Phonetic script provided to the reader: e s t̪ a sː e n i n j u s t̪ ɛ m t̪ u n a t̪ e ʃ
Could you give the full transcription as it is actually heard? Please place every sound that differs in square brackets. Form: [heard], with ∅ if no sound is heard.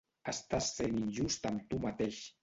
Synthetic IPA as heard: [a] s t̪ a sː e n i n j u s t̪ [a] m t̪ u [m] a t̪ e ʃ